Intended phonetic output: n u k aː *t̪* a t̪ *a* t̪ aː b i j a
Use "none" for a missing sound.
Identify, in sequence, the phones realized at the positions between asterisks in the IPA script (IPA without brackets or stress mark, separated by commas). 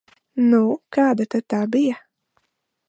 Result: d̪, a